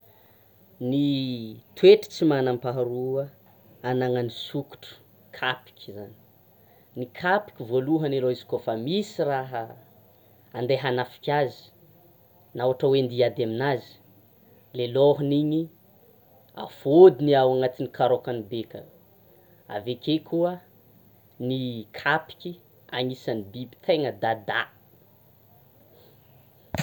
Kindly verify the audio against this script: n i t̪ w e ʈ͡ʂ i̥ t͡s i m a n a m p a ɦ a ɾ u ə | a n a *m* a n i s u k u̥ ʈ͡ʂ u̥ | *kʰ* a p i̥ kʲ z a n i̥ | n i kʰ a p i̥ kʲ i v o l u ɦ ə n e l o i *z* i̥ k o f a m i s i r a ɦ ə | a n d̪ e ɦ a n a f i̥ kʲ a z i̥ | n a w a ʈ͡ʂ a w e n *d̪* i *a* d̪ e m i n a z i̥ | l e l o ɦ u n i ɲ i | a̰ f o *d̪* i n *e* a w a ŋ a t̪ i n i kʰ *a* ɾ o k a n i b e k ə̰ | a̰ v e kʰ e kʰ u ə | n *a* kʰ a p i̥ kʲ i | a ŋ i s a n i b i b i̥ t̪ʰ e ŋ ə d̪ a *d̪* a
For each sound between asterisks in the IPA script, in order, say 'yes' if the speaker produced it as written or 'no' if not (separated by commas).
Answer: no, yes, yes, yes, yes, yes, no, yes, no, yes